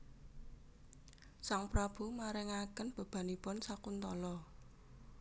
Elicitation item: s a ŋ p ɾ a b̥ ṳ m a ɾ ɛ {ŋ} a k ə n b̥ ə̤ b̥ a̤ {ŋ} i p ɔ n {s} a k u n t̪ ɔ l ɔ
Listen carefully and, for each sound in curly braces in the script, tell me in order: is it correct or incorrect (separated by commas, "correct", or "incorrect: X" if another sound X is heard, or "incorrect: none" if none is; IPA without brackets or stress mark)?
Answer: correct, incorrect: n, correct